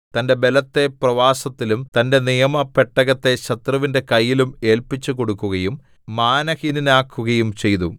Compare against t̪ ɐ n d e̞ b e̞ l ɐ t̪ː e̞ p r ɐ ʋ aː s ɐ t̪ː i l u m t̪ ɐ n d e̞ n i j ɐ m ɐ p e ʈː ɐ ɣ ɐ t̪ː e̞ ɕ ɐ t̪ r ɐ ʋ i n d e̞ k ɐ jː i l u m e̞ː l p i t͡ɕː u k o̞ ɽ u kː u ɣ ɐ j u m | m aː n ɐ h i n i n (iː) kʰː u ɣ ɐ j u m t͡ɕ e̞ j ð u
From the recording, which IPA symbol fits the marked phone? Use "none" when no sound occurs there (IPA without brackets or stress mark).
aː